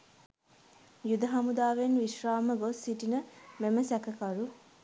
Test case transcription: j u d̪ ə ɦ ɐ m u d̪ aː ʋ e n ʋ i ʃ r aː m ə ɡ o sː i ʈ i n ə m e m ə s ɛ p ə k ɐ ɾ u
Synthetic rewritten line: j u d̪ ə ɦ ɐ m u d̪ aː ʋ e n ʋ i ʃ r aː m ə ɡ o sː i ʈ i n ə m e m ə s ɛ k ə k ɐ ɾ u